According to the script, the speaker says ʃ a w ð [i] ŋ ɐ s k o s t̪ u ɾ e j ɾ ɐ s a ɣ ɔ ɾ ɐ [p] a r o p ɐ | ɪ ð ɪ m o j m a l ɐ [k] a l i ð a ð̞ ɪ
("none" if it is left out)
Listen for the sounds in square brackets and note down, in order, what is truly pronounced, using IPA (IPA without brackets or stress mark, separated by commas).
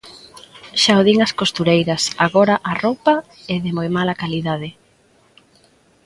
i, ʔ, k